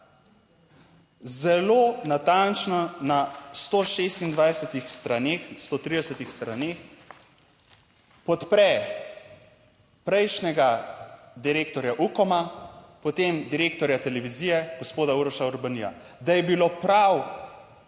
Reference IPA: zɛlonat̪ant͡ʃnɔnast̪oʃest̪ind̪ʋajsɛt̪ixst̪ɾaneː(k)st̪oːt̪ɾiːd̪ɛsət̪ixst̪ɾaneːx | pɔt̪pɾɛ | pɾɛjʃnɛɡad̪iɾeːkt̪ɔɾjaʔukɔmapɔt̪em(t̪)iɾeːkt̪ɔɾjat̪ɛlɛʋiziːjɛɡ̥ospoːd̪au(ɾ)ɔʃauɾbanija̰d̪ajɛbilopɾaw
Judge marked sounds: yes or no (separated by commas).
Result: no, no, yes